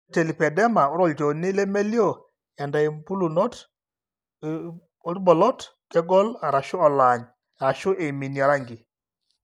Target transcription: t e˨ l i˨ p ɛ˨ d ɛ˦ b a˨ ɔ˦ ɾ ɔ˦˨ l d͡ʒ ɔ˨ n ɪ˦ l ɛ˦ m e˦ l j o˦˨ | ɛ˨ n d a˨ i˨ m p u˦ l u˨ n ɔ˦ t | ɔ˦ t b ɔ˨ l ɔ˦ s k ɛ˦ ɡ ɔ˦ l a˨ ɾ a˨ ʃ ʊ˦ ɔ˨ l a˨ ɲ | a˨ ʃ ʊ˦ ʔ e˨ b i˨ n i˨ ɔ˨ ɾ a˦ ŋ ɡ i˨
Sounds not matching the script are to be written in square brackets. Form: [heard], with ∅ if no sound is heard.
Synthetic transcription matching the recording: t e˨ l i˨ p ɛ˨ d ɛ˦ [m] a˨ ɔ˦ ɾ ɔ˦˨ l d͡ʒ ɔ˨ n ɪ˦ l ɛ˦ m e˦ l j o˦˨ | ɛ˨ n d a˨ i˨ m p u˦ l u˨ n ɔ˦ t | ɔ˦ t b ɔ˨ l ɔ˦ [t] k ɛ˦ ɡ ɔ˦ l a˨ ɾ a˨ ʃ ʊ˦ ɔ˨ l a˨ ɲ | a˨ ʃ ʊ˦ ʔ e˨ [m] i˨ n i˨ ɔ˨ ɾ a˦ ŋ ɡ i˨